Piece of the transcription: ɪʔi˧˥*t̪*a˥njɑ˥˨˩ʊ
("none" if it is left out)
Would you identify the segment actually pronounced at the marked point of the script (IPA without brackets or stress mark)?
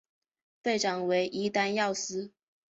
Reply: t̪